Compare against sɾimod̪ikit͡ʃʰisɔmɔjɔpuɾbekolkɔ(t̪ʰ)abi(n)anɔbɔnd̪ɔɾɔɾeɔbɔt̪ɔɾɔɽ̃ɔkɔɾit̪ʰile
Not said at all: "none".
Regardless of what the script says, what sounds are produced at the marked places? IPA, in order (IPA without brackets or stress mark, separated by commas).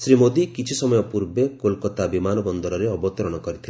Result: t̪, m